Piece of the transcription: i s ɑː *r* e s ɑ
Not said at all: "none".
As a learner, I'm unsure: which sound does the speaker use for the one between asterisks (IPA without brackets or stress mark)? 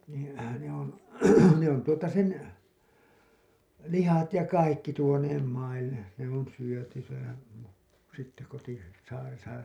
r